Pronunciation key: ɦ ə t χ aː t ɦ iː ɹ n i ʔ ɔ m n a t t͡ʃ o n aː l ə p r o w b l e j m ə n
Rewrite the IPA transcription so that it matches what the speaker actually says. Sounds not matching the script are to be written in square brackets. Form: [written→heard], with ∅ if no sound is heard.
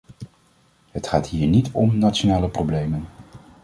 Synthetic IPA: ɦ ə t χ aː t ɦ iː ɹ n i [ʔ→t] ɔ m n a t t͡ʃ o n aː l ə p r o w b l e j m ə n